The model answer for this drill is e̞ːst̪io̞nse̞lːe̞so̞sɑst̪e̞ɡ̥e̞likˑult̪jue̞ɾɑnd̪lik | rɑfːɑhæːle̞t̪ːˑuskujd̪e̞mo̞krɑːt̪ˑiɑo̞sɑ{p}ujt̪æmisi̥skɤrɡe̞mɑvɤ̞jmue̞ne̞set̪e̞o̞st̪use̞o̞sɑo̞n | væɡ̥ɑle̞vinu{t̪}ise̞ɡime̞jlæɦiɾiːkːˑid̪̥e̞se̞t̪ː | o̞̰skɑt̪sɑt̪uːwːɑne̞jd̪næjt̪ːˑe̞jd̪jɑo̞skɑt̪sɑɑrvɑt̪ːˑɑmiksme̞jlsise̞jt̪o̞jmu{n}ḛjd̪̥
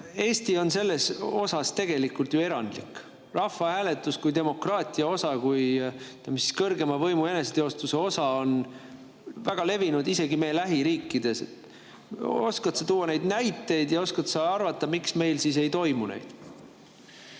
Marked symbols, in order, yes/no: no, no, yes

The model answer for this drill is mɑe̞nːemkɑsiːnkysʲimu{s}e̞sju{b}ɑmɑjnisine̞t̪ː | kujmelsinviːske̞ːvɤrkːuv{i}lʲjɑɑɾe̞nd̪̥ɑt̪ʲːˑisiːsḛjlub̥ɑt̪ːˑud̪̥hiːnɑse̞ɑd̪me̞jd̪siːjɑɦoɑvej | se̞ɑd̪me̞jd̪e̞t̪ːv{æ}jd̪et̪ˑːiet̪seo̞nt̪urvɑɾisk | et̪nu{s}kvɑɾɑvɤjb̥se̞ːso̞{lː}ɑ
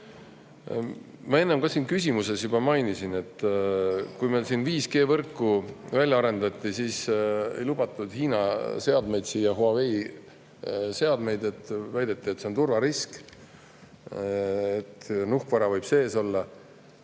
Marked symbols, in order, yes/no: yes, yes, no, yes, no, yes

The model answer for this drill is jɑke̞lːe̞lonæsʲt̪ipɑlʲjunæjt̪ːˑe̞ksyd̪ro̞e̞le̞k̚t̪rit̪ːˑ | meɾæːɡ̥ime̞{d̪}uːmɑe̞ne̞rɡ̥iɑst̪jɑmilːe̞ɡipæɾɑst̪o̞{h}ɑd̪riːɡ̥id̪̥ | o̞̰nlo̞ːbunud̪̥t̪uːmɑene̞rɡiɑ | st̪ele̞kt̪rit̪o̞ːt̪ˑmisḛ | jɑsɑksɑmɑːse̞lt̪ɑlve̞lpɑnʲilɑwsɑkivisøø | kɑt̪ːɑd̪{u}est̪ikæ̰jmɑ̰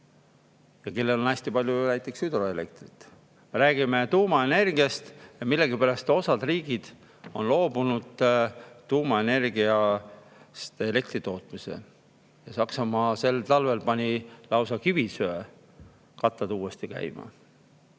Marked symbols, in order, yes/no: no, no, no

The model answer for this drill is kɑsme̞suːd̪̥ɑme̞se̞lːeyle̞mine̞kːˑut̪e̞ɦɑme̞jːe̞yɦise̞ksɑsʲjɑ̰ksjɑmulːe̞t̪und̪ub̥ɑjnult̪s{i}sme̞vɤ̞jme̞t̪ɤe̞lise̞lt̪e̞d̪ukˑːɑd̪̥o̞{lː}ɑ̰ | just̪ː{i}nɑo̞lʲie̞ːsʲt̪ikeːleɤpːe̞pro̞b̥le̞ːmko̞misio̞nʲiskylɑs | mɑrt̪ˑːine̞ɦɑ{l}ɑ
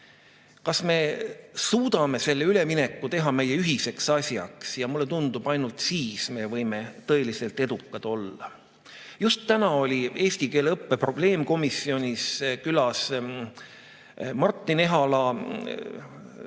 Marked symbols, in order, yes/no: no, yes, no, yes

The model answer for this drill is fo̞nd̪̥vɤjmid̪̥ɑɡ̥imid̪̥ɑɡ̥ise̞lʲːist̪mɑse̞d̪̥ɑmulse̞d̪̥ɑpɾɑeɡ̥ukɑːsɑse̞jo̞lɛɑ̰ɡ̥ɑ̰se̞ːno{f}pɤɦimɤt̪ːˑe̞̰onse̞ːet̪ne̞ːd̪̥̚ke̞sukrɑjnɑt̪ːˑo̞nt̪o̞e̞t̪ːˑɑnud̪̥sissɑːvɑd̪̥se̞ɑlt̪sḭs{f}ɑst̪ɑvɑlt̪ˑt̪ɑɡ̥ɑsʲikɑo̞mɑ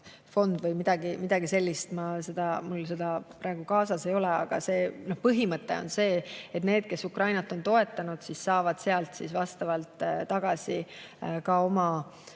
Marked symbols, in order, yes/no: no, no

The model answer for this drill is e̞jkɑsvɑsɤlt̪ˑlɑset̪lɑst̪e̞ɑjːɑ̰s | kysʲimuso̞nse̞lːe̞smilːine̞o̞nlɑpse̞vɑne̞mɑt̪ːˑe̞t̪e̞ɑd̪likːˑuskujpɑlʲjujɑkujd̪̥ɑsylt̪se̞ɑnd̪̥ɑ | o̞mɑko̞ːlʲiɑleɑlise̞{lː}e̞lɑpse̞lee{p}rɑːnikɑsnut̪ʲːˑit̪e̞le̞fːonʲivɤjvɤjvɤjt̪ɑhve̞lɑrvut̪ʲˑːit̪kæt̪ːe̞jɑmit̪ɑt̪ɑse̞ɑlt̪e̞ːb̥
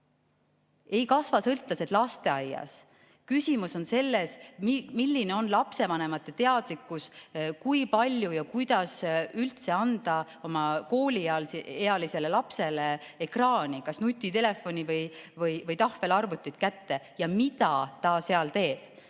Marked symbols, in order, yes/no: no, no

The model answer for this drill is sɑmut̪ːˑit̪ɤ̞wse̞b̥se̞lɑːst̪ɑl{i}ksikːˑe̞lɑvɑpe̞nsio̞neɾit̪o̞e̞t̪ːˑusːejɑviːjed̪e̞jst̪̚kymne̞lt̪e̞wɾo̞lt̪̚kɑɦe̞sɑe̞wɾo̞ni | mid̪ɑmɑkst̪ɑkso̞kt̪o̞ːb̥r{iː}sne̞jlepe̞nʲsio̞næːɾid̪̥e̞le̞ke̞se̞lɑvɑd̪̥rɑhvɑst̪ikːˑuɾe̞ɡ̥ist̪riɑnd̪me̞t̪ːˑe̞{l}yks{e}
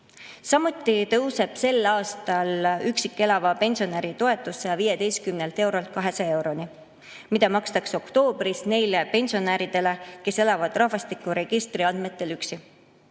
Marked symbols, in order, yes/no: no, no, yes, no

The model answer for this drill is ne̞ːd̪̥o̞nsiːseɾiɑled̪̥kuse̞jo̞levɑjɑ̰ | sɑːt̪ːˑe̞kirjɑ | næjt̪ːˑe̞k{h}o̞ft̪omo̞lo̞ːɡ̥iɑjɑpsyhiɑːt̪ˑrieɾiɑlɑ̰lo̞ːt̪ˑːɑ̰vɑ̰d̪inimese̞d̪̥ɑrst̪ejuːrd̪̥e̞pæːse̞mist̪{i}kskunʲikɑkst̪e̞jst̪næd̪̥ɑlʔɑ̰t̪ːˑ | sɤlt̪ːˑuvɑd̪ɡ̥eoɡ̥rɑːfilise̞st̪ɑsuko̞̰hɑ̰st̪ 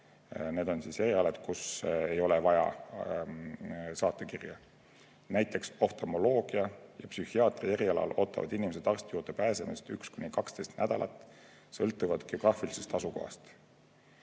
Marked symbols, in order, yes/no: no, no

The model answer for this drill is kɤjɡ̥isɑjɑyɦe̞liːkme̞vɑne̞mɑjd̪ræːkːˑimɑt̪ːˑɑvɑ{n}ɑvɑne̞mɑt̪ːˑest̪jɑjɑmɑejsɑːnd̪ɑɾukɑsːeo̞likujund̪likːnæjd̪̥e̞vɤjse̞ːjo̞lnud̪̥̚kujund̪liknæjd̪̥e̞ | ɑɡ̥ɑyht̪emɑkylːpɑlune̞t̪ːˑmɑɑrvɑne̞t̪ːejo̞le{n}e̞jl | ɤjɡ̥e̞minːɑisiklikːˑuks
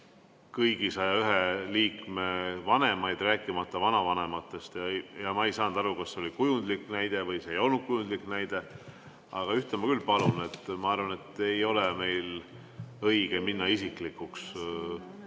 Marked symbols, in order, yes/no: yes, no

